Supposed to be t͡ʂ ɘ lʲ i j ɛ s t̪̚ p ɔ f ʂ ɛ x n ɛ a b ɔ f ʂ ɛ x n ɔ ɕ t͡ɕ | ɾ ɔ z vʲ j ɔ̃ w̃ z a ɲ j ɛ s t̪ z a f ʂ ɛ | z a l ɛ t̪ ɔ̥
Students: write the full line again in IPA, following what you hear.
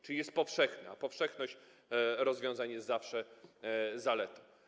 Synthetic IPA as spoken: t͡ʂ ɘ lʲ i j ɛ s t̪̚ p ɔ f ʂ ɛ x n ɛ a p ɔ f ʂ ɛ x n ɔ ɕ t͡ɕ | ɾ ɔ z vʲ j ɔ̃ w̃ z a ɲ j ɛ s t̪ z a f ʂ ɛ | z a l ɛ t̪ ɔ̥